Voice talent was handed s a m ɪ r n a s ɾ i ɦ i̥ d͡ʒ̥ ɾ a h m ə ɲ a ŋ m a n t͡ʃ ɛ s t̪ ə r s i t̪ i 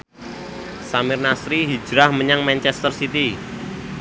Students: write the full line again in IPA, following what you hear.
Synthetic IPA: s a m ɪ r n a s ɾ i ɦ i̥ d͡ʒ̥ ɾ a h m ə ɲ a ŋ m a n t͡ʃ ɛ s t̪ ə r s i t̪ i